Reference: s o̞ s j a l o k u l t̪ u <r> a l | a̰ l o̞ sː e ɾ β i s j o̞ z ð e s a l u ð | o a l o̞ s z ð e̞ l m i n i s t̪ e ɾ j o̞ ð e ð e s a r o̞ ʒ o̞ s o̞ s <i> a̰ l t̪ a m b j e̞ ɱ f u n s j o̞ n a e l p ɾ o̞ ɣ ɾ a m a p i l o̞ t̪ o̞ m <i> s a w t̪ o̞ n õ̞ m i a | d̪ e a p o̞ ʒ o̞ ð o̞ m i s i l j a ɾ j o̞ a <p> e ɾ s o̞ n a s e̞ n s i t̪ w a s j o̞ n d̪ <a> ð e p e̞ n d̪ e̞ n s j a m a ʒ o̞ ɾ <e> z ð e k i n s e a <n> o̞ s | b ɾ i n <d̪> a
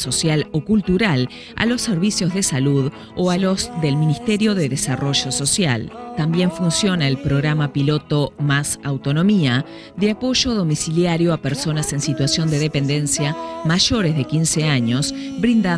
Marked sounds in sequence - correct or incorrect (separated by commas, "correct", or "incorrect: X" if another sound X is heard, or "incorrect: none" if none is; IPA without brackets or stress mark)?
incorrect: ɾ, incorrect: j, incorrect: a, correct, incorrect: e, correct, incorrect: ɲ, correct